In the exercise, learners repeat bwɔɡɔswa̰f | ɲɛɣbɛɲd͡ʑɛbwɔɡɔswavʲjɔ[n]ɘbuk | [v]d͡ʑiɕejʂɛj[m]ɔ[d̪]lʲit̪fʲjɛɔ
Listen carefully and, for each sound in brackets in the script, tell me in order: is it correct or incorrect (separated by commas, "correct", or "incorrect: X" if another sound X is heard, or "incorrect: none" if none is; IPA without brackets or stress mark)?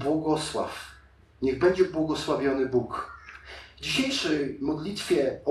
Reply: correct, correct, correct, correct